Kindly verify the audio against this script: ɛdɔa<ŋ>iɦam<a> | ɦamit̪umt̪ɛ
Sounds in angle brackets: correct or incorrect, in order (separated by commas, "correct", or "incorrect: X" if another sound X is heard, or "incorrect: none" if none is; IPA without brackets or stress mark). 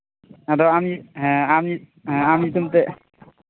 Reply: incorrect: m, incorrect: i